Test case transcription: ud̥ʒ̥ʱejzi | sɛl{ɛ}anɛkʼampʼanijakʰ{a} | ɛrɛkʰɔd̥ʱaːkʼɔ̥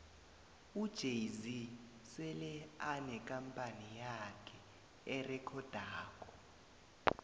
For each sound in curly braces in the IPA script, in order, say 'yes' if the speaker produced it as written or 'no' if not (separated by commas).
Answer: yes, no